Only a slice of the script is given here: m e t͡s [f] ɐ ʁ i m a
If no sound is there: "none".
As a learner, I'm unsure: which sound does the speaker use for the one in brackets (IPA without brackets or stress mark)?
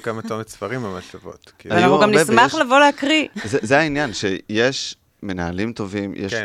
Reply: f